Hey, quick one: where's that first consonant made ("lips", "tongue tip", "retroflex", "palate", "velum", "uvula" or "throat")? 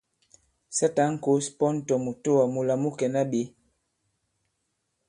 tongue tip